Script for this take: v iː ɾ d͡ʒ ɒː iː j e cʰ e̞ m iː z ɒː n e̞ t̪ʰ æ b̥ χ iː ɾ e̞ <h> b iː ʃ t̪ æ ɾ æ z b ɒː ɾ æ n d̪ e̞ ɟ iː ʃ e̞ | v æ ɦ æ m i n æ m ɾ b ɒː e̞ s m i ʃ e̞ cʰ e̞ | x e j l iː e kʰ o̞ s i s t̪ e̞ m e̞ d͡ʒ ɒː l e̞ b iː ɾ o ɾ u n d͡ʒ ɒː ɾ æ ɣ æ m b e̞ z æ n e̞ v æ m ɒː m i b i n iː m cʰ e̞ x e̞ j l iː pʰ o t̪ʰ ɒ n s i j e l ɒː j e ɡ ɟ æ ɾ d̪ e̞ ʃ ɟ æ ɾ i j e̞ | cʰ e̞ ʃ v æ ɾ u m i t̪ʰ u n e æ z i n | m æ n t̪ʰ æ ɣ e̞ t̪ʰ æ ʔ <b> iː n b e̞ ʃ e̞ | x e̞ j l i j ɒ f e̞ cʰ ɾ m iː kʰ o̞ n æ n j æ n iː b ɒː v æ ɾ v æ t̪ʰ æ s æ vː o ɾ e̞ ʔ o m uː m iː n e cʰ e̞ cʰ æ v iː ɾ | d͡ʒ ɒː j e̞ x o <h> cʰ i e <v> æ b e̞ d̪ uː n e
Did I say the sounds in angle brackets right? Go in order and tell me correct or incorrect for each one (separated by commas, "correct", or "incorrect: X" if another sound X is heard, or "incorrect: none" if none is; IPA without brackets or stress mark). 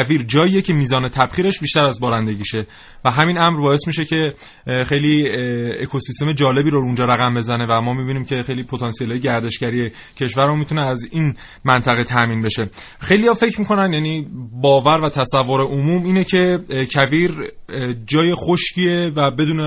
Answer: incorrect: ʃ, incorrect: m, incorrect: ʃ, correct